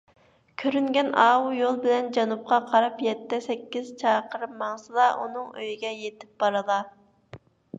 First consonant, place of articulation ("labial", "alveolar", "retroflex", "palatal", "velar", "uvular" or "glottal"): velar